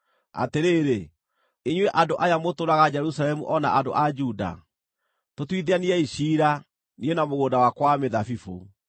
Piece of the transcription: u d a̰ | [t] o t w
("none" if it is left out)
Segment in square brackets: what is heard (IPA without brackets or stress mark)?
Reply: t